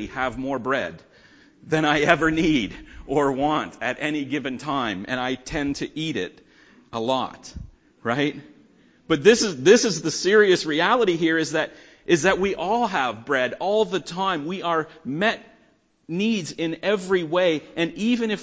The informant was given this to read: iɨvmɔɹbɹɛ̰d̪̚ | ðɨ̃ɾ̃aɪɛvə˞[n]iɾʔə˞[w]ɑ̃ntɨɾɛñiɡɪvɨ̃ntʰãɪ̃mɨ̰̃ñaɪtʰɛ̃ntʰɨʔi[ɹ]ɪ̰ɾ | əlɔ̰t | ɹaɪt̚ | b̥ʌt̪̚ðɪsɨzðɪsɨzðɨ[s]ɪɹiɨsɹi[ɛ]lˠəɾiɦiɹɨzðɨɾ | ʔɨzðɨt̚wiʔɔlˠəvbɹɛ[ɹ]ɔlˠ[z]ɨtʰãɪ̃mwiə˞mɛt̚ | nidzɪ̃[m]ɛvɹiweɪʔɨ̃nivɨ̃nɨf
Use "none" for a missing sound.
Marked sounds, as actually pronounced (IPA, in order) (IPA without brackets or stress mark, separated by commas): n, w, ɾ, s, æ, ɾ, ð, n